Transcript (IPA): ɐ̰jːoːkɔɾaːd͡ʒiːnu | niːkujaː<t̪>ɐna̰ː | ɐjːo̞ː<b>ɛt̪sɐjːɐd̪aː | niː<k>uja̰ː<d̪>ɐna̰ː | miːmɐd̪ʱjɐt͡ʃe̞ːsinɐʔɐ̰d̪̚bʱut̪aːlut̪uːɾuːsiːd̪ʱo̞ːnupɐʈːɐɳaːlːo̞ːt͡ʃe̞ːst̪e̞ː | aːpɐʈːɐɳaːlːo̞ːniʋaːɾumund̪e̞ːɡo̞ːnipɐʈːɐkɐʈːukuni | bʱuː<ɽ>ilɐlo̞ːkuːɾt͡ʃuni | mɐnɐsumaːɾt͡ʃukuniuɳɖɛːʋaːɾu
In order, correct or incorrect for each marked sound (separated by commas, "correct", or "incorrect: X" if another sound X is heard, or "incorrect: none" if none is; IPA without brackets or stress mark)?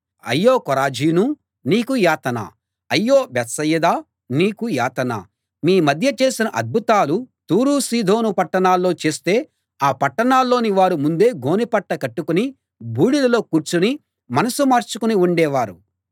correct, correct, correct, incorrect: t̪, correct